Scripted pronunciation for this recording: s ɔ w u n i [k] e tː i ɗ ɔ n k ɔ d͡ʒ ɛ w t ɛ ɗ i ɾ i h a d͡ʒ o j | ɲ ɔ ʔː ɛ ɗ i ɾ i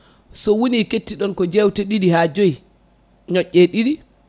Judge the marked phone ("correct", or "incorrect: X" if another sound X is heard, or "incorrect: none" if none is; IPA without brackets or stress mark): correct